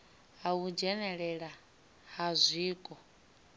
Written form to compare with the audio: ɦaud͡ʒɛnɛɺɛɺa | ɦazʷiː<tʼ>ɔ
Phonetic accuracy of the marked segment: incorrect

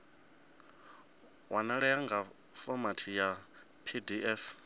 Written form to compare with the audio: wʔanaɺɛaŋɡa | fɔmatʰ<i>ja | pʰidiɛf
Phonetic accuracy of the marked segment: correct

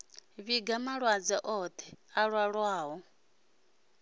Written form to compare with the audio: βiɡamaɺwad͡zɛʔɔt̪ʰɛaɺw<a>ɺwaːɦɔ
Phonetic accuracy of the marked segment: correct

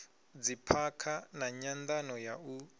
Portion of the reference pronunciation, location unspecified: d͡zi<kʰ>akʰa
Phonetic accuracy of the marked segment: incorrect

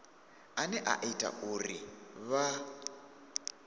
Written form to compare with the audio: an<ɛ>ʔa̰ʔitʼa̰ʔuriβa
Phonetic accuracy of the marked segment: correct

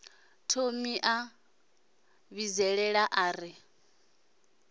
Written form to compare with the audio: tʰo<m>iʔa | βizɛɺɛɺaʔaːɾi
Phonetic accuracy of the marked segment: correct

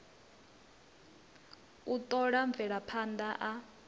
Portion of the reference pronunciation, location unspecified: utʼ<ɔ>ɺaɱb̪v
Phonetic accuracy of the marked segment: correct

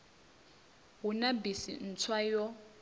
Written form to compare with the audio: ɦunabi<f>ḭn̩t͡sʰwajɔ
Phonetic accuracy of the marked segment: incorrect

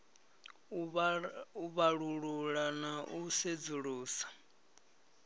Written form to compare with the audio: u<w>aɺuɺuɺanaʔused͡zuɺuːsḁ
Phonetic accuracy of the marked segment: incorrect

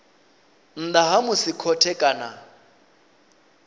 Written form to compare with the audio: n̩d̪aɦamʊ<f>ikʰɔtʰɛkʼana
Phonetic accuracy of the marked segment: incorrect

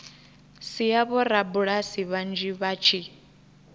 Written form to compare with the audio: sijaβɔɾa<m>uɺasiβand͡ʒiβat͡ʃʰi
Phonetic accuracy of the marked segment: incorrect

